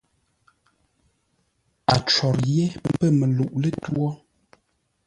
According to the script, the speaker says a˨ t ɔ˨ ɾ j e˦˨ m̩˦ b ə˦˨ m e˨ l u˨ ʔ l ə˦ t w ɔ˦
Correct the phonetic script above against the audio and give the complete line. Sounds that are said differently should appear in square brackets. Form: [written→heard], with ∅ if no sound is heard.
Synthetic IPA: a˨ [t→t͡ʃ] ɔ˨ ɾ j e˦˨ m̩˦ [b→p] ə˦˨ m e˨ l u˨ ʔ l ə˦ t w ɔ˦